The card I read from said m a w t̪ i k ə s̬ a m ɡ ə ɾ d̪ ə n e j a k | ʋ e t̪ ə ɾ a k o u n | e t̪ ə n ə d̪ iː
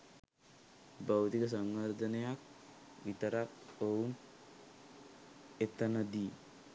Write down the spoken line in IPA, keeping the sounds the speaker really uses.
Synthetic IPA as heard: b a w t̪ i k ə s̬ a ŋ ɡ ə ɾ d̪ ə n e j a k | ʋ i t̪ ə ɾ a k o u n | e t̪ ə n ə d̪ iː